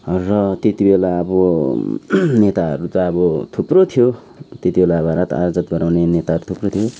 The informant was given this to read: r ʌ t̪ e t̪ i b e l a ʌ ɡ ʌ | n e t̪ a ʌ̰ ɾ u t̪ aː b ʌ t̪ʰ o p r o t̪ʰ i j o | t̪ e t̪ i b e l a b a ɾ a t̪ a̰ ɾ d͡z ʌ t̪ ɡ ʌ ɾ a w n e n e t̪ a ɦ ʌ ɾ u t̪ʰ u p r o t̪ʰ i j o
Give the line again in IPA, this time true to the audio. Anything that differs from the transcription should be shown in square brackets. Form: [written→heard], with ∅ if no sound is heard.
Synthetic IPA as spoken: r ʌ t̪ e t̪ i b e l a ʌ [ɡ→b] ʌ | n e t̪ a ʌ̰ ɾ u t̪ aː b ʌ t̪ʰ [o→u] p r o t̪ʰ i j o | t̪ e t̪ i b e l a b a ɾ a t̪ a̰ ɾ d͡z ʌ t̪ ɡ ʌ ɾ a w n e n e t̪ a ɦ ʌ ɾ u t̪ʰ u p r o t̪ʰ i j o